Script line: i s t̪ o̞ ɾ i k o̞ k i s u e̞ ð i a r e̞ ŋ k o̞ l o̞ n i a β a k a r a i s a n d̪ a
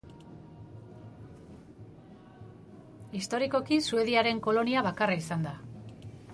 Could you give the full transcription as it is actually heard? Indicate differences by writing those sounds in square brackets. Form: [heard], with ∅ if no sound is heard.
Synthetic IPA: i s t̪ o̞ ɾ i k o̞ k i s u e̞ ð i a [ɾ] e̞ ŋ k o̞ l o̞ n i a β a k a r a i s a n d̪ a